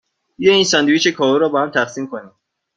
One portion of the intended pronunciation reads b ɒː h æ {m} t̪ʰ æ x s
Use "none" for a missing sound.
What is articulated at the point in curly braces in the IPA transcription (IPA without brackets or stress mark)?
m